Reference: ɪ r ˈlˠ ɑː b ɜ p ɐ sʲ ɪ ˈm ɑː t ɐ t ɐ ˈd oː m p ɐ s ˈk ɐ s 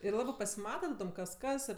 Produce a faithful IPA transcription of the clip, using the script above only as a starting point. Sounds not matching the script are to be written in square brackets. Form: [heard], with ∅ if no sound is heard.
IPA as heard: ɪ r ˈlˠ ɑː b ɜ p ɐ sʲ ɪ ˈm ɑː t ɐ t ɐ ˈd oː m [k] ɐ s ˈk ɐ s